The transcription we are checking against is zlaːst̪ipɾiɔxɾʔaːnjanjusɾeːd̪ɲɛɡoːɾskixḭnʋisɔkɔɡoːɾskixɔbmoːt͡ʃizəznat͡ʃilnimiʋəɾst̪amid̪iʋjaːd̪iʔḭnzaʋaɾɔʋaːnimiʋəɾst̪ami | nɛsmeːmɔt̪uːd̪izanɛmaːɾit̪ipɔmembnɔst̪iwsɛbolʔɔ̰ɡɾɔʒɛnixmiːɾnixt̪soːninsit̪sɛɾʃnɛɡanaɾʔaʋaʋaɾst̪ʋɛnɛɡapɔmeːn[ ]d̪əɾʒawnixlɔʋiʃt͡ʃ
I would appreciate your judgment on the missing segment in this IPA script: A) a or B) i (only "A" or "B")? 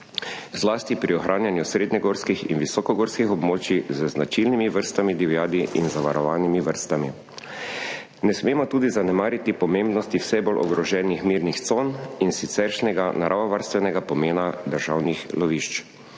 A